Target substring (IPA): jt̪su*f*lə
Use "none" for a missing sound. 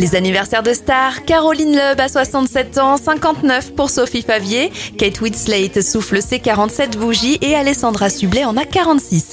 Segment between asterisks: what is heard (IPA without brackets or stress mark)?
f